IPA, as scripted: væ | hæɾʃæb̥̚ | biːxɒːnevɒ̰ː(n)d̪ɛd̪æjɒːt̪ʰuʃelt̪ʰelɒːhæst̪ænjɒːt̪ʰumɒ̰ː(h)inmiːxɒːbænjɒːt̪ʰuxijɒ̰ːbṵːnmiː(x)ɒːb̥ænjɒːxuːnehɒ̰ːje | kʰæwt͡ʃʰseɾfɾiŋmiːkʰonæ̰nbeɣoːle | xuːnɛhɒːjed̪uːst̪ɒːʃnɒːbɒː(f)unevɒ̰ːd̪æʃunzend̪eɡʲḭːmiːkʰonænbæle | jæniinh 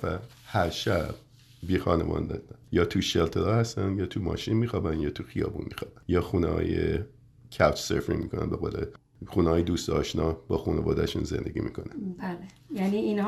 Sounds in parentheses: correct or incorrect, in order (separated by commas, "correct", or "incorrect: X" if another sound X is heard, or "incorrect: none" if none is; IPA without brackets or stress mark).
correct, incorrect: ʃ, correct, incorrect: x